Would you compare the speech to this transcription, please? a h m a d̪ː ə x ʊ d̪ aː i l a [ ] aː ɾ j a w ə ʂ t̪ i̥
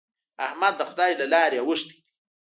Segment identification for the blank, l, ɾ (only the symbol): l